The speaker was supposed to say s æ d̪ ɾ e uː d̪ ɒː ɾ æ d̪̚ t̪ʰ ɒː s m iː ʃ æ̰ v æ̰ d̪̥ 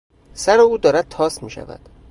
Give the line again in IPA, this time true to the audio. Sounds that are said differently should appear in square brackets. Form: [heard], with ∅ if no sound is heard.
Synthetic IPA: s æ [∅] ɾ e uː d̪ ɒː ɾ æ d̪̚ t̪ʰ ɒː s m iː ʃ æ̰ v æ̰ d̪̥